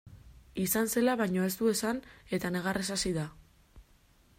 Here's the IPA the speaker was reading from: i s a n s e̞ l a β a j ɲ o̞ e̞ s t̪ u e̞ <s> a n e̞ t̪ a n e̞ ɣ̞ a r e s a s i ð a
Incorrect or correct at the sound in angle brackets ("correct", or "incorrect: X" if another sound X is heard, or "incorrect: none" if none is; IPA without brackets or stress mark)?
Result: correct